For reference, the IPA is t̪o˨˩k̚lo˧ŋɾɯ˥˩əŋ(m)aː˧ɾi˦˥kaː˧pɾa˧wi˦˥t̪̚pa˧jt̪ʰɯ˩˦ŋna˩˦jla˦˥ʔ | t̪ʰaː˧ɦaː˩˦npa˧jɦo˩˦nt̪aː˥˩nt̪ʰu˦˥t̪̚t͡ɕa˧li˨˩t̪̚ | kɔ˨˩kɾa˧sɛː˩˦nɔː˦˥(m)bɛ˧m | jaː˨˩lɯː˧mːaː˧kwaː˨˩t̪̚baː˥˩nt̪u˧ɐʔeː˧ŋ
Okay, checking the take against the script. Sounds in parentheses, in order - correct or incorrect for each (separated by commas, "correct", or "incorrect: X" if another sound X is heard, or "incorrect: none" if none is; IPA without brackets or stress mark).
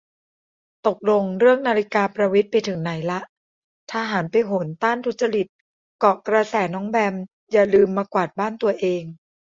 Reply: incorrect: n, incorrect: ŋ